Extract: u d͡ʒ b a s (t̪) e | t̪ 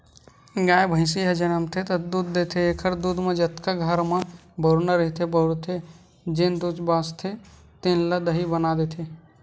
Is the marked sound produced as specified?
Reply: no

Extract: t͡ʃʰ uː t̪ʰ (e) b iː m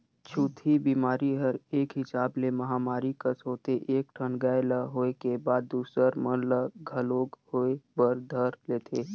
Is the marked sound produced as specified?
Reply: no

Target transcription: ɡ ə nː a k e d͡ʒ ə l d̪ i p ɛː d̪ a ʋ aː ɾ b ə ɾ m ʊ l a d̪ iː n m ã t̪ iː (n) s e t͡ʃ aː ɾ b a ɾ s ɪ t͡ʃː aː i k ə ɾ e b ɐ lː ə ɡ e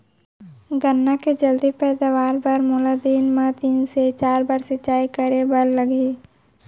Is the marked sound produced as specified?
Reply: yes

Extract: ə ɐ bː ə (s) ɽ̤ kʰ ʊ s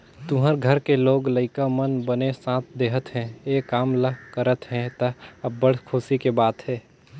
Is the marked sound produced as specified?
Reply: no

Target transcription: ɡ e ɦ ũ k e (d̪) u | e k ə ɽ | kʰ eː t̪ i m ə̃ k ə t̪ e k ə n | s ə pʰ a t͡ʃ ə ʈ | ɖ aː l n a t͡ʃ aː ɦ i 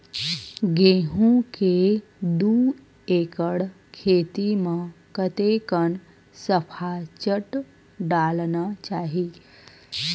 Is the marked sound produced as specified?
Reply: yes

